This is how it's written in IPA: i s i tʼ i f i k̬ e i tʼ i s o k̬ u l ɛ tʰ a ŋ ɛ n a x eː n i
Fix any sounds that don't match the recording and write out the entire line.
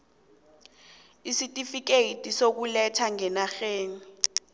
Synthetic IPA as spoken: i s i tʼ i f i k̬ e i tʼ i s o k̬ u l ɛ tʰ a ŋ ɛ n a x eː n i